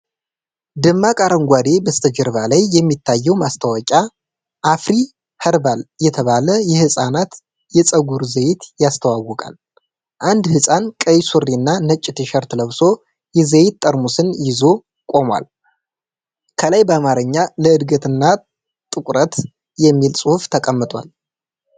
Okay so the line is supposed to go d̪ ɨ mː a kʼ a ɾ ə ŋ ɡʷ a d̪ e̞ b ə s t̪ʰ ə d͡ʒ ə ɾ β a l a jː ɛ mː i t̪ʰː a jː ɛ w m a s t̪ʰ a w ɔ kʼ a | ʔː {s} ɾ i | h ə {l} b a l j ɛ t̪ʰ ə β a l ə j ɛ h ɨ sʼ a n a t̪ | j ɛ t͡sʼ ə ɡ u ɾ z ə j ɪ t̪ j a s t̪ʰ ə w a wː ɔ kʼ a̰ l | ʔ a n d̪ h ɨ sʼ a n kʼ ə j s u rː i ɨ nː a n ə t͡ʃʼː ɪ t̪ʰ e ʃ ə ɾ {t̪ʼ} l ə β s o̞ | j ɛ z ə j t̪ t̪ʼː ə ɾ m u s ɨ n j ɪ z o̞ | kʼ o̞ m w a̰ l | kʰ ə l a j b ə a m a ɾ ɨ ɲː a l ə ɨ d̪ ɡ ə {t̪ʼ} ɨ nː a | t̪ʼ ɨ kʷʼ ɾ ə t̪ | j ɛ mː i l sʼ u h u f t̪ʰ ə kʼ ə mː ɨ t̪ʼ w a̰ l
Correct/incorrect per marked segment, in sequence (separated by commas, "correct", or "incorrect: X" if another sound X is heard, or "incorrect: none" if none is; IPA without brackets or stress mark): incorrect: f, incorrect: ɾ, incorrect: t̪, incorrect: t̪